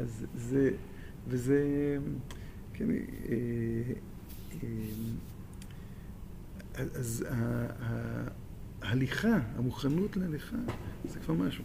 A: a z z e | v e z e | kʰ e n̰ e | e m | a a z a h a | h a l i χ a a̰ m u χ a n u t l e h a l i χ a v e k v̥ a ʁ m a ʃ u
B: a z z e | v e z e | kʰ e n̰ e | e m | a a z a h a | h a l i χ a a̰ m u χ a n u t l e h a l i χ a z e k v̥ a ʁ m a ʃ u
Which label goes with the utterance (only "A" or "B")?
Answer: B